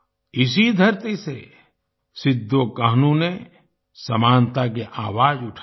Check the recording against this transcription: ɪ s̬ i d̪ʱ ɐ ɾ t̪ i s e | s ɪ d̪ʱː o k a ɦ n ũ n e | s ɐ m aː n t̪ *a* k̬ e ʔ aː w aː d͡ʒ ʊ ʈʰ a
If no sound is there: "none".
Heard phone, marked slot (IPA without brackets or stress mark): a